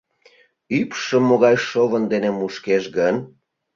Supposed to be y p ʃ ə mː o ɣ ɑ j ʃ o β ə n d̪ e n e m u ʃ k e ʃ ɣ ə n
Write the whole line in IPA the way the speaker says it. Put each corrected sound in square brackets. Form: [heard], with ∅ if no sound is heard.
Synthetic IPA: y p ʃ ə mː o ɣ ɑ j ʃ o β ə n d̪ e n e m u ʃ k e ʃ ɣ ə n